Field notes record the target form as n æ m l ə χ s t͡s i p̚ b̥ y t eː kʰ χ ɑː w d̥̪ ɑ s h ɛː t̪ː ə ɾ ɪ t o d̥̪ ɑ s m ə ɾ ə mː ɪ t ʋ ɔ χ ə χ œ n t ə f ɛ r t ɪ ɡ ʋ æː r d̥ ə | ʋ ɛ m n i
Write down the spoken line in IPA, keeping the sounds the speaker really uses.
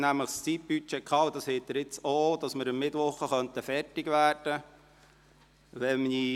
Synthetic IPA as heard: n æ m l ə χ s t͡s i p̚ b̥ y t͡ʃ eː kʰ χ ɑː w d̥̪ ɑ s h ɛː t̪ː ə ɾ ɪ t͡s o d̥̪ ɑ s m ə ɾ ə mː ɪ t ʋ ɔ χ ə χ œ n t ə f ɛ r t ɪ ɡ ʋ æː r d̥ ə | ʋ ɛ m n i